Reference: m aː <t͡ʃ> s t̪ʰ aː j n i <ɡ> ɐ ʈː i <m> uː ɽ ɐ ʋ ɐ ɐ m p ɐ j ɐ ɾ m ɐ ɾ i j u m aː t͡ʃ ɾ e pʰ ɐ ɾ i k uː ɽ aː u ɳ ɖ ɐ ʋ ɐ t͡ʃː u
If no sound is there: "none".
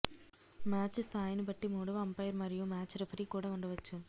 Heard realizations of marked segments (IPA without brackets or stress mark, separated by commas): t͡ʃ, b, m